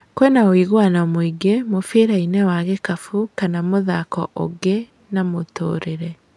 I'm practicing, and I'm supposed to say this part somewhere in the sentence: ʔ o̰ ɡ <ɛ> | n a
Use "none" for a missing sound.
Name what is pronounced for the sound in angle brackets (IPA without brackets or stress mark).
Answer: e